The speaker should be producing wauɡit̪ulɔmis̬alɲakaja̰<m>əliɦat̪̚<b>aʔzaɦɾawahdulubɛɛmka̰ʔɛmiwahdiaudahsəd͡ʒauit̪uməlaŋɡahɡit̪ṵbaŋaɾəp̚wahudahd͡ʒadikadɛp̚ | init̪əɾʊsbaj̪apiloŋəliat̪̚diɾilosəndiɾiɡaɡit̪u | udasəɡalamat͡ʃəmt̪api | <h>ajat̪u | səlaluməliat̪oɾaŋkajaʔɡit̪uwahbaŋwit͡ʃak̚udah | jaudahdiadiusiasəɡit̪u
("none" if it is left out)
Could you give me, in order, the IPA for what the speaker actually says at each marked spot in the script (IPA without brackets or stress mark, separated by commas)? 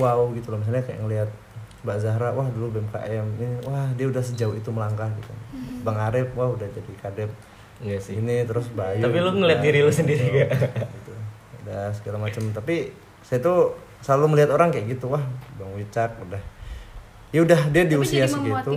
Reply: ŋ, b, s